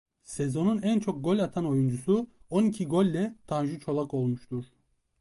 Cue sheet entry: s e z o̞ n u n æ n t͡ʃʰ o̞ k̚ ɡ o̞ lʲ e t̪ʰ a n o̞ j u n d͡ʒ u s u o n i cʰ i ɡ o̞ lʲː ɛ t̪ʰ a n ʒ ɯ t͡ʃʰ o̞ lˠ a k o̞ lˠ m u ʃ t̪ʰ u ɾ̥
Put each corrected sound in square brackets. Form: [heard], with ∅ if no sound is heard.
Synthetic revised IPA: s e z o̞ n u n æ n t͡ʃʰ o̞ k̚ ɡ o̞ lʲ [a] t̪ʰ a n o̞ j u n d͡ʒ u s u o n i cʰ i ɡ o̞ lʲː ɛ t̪ʰ a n ʒ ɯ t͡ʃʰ o̞ lˠ a k o̞ lˠ m u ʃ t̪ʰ u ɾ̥